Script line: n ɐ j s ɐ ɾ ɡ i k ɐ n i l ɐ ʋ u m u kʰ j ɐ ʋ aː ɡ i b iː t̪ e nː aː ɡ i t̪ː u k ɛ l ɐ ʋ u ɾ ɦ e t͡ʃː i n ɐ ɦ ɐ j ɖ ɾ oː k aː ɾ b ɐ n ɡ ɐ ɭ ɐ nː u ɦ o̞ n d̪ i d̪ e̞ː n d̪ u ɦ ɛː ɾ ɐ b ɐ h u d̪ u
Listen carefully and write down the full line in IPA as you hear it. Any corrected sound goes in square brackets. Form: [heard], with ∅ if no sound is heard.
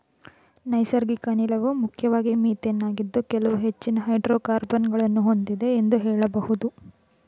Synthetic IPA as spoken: n ɐ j s ɐ ɾ ɡ i k ɐ n i l ɐ ʋ u m u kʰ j ɐ ʋ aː ɡ i [m] iː t̪ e nː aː ɡ i [d̪ː] u k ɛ l ɐ ʋ u [∅] ɦ e t͡ʃː i n ɐ ɦ ɐ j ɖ ɾ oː k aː ɾ b ɐ n ɡ ɐ ɭ ɐ nː u ɦ o̞ n d̪ i d̪ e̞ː n d̪ u ɦ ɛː [ɭ] ɐ b ɐ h u d̪ u